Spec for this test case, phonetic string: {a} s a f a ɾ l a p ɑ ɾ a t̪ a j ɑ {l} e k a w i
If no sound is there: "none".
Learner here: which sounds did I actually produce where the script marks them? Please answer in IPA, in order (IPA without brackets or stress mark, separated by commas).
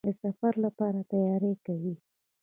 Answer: ə, ɾ